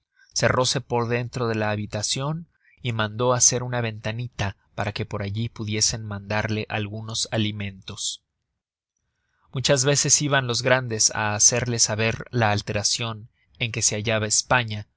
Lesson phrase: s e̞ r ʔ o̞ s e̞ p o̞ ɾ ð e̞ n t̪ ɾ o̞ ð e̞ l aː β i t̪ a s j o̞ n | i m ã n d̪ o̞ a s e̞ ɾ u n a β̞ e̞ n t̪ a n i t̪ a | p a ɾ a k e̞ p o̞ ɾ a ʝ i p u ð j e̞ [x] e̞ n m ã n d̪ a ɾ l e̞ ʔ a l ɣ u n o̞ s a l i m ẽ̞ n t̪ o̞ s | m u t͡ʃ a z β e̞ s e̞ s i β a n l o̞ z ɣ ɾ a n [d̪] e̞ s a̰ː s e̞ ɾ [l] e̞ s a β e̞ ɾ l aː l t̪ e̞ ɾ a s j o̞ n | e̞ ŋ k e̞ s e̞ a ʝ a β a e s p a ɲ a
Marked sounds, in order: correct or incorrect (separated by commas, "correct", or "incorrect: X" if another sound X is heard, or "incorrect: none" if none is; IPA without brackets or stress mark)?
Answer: incorrect: s, correct, correct